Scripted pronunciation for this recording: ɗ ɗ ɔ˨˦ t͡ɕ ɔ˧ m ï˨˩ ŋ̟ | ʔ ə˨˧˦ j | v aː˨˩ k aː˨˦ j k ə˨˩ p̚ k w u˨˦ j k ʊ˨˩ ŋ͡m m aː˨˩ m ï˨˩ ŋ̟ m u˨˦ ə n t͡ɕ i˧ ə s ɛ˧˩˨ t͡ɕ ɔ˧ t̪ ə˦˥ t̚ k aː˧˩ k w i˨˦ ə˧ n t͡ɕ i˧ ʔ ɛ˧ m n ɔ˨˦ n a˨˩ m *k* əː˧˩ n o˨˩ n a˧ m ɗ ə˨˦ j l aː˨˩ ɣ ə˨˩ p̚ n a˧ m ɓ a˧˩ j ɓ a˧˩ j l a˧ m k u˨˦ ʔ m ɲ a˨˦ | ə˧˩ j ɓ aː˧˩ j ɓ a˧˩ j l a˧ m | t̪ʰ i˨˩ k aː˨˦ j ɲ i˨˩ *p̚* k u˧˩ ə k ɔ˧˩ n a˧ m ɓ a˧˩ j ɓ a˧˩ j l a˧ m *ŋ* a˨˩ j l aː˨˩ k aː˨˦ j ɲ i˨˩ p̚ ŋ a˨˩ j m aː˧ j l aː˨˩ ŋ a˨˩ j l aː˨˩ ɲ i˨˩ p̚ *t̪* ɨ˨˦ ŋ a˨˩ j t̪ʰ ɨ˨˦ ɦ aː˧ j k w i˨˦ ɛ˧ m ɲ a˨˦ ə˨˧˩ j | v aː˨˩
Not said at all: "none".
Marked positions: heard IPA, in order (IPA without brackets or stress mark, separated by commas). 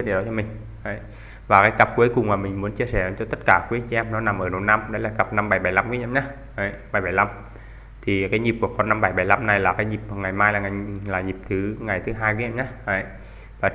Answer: ʔ, p̚, n, t̪ʰ